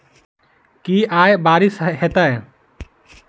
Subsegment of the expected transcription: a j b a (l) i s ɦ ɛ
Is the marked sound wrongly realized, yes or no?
yes